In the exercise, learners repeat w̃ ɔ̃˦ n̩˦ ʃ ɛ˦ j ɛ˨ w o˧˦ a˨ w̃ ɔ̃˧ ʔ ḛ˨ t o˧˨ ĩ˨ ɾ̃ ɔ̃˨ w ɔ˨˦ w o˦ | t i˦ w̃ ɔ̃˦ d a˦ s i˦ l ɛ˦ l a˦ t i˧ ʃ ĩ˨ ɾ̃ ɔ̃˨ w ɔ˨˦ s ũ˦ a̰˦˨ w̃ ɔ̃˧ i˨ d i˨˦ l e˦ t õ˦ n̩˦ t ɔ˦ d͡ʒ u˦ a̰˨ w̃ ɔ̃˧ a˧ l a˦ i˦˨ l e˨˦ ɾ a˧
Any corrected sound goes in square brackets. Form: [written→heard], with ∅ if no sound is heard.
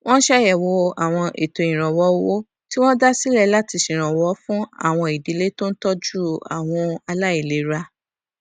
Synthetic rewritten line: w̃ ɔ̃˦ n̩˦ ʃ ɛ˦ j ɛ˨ w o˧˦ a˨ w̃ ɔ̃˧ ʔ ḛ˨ t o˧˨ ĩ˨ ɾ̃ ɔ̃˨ w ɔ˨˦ w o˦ | t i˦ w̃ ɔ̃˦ d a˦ s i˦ l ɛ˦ l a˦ t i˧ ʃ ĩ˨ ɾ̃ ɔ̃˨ w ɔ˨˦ [s→f] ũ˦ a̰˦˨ w̃ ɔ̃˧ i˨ d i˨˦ l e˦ t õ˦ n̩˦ t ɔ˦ d͡ʒ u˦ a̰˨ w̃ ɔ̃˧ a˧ l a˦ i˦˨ l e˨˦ ɾ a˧